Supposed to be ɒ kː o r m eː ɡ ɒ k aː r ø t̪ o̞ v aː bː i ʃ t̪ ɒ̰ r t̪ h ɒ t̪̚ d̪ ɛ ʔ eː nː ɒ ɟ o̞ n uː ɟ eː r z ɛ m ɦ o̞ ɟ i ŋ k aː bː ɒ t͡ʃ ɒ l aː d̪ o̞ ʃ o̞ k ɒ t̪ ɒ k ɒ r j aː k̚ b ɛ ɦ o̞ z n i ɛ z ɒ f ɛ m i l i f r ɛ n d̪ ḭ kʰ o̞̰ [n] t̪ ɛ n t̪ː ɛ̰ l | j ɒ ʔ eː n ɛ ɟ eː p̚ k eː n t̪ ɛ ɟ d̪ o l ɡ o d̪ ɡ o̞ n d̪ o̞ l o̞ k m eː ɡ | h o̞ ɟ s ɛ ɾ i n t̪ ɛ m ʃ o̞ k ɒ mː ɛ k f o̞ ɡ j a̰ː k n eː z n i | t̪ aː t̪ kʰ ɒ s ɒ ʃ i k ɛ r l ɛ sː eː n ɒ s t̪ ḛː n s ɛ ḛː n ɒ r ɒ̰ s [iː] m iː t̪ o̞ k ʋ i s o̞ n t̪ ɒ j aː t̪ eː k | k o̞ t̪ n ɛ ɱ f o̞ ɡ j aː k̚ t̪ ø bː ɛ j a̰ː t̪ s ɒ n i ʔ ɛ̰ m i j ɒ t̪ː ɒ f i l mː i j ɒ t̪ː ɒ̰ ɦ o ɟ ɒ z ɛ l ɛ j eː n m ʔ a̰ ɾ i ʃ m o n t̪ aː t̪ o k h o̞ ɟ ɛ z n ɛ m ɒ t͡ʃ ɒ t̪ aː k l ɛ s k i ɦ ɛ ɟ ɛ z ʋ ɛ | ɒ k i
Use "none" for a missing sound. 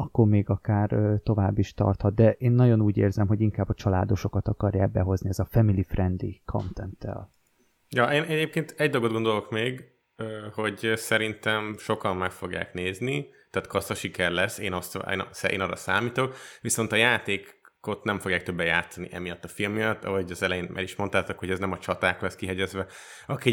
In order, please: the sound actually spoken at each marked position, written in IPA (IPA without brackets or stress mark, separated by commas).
n, aː